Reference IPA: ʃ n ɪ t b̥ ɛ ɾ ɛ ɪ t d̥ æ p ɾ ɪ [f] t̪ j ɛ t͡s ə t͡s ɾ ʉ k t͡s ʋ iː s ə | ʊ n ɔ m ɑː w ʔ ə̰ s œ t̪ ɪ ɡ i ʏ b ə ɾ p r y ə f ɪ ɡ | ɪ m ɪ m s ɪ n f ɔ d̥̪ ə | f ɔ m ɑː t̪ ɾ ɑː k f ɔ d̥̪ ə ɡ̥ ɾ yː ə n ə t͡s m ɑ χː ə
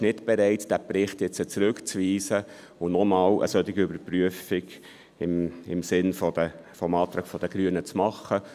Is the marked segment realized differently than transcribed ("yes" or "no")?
yes